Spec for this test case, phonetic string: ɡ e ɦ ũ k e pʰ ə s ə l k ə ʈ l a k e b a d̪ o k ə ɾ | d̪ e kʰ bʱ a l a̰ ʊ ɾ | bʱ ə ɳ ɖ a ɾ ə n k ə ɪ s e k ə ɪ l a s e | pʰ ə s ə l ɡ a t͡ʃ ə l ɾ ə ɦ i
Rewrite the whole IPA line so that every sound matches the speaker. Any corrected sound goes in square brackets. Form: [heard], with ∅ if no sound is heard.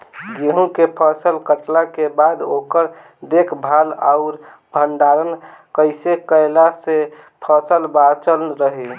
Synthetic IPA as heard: ɡ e ɦ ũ k e pʰ ə s ə l k ə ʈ l a k e b a d̪ o k ə ɾ | d̪ e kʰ bʱ a l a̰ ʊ ɾ | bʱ ə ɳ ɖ a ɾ ə n k ə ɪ s e k ə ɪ l a s e | pʰ ə s ə l [b] a t͡ʃ ə l ɾ ə ɦ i